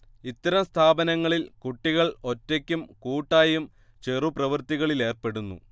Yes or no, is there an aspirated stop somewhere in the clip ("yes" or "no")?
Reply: yes